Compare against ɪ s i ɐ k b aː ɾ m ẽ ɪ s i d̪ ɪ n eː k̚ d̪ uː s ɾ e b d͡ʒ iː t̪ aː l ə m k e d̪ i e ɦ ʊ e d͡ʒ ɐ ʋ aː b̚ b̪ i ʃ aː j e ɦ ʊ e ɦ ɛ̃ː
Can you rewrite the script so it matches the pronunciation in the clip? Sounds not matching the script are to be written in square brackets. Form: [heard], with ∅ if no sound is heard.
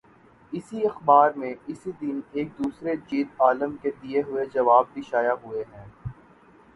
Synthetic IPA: ɪ s i ɐ [x] b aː ɾ m ẽ ɪ s i d̪ ɪ n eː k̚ d̪ uː s ɾ e [∅] d͡ʒ iː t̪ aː l ə m k e d̪ i e ɦ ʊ e d͡ʒ ɐ ʋ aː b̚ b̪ i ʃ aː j [a] ɦ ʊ e ɦ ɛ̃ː